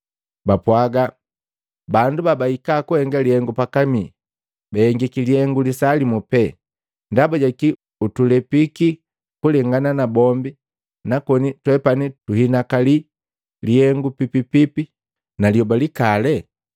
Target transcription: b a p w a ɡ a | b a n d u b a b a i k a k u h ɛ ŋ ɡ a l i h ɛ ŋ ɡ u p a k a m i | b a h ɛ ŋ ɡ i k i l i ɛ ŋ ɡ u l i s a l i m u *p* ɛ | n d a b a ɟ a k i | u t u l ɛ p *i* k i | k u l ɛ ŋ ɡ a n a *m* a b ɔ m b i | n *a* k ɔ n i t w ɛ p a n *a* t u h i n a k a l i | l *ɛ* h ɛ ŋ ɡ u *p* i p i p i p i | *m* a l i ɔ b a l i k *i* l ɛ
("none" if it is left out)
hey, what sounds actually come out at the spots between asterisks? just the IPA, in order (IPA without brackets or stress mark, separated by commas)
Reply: p, i, n, a, i, i, p, n, a